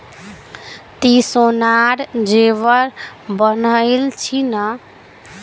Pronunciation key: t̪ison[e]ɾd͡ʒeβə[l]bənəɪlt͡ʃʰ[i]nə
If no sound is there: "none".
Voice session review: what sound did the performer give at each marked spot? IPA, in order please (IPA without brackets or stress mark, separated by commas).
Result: a, ɾ, i